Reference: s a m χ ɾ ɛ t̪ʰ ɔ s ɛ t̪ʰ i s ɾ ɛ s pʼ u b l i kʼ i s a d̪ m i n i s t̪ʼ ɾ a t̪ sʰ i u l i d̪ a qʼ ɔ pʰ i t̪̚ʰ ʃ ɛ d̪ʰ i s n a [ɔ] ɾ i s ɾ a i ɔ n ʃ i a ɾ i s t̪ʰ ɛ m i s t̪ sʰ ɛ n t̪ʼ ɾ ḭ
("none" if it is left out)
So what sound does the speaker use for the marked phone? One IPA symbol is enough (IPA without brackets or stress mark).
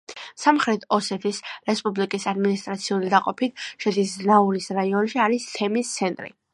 u